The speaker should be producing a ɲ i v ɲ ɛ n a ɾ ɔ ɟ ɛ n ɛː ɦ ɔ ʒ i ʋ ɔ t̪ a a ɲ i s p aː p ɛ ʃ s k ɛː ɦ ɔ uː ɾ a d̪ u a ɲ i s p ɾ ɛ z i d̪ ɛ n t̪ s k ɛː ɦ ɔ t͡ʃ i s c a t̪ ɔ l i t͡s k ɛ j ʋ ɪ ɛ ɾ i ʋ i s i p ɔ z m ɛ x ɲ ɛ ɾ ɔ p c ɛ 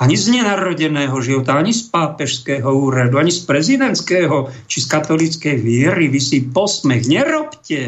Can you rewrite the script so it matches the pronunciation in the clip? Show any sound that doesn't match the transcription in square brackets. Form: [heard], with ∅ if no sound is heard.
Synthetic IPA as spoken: a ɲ i [z] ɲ ɛ n a ɾ ɔ ɟ ɛ n ɛː ɦ ɔ ʒ i ʋ ɔ t̪ a a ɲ i s p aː p ɛ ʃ s k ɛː ɦ ɔ uː ɾ a d̪ u a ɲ i s p ɾ ɛ z i d̪ ɛ n t̪ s k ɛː ɦ ɔ t͡ʃ i s [k] a t̪ ɔ l i t͡s k ɛ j ʋ ɪ ɛ ɾ i ʋ i s i p ɔ [s] m ɛ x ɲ ɛ ɾ ɔ p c ɛ